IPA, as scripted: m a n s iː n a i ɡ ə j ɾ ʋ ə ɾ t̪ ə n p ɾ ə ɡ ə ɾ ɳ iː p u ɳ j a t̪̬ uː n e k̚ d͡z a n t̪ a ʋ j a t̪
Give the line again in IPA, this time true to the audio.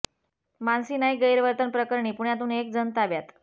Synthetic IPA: m a n s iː n a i ɡ ə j ɾ ʋ ə ɾ t̪ ə n p ɾ ə k ə ɾ ɳ iː p u ɳ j a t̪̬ uː n e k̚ d͡z ə n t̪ a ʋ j a t̪